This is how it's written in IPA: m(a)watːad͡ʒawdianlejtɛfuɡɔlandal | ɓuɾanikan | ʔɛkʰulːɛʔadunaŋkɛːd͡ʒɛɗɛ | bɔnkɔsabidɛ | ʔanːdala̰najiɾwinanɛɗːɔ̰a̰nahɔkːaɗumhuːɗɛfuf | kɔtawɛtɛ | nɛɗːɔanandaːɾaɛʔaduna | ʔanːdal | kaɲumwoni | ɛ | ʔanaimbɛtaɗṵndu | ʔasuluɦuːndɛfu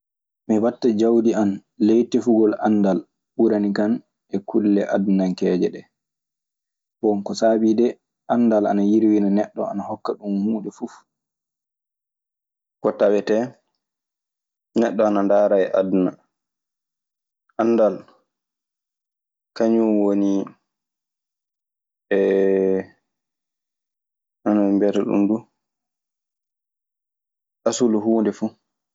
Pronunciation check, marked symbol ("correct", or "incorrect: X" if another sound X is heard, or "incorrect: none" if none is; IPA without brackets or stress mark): incorrect: i